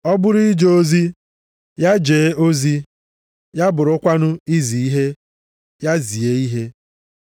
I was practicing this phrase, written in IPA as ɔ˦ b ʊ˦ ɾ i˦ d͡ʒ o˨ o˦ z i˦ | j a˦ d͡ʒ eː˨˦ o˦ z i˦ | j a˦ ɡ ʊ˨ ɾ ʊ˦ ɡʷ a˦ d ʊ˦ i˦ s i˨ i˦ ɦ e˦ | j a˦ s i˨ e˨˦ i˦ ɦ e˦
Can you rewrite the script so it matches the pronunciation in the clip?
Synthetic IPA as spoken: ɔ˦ b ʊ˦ ɾ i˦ d͡ʒ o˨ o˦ z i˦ | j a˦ d͡ʒ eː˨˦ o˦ z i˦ | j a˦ b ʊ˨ ɾ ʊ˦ kʷ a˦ n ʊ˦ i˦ z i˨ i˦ ɦ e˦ | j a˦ z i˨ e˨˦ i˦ ɦ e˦